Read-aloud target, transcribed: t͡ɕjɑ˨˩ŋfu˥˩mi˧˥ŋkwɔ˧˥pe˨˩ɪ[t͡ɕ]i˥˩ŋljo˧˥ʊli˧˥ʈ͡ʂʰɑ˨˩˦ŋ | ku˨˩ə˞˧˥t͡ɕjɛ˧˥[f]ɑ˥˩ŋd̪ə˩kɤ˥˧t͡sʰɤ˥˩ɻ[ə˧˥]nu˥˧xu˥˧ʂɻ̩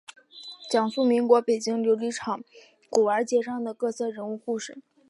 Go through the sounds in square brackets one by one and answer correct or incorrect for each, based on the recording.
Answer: correct, incorrect: ʂ, correct

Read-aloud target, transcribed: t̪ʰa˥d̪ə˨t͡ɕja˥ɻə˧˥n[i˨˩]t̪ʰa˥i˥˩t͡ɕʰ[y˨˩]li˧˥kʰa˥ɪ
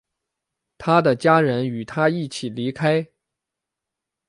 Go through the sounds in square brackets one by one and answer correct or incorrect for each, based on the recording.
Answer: incorrect: y˨˩, incorrect: i˨˩

